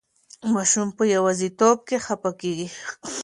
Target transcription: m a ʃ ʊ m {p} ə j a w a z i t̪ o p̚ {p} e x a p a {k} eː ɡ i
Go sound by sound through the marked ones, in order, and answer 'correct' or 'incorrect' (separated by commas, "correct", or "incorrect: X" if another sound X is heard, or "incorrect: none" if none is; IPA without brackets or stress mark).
correct, incorrect: k, correct